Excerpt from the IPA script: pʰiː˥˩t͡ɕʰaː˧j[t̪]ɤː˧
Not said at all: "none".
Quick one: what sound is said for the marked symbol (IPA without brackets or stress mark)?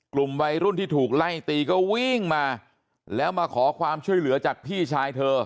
t̪ʰ